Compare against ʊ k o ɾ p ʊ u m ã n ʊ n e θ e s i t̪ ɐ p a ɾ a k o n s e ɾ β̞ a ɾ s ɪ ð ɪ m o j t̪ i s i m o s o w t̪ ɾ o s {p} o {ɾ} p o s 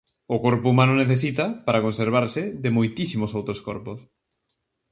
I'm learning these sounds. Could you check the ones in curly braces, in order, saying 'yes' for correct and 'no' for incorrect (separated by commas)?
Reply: no, yes